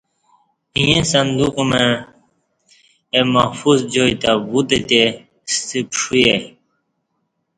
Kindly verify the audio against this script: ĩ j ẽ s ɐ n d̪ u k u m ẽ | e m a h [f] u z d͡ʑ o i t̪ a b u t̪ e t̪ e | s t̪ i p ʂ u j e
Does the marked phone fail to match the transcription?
no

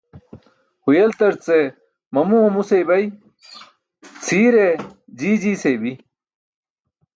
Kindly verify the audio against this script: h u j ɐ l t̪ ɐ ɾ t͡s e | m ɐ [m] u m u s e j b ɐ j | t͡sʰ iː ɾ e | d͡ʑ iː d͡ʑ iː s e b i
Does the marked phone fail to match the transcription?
no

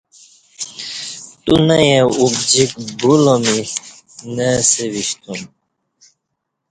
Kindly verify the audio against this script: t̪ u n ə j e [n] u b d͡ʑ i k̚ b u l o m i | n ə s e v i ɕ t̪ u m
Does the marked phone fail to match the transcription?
yes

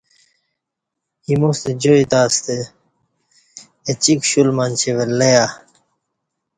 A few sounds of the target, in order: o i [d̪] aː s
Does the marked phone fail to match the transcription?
yes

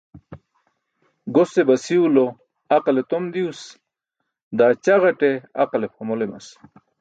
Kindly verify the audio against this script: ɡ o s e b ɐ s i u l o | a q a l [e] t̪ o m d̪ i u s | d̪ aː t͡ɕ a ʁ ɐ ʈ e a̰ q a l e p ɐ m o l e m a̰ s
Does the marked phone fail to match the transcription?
no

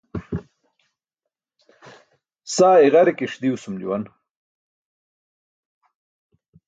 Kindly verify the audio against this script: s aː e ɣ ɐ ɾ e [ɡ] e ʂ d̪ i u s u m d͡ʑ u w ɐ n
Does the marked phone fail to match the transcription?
yes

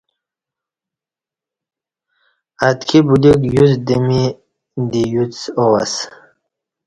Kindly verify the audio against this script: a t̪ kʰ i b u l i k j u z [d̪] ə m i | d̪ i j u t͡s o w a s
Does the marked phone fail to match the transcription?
no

